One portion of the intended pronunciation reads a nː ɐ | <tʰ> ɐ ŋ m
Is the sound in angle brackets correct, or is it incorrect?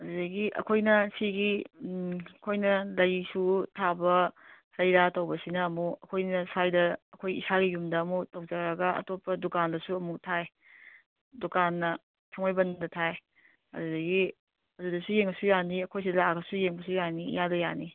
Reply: correct